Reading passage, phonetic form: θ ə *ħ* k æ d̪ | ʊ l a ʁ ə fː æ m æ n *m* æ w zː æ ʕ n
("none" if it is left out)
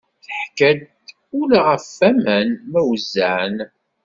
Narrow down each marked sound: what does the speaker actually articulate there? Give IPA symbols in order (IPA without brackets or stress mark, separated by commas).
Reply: ħ, m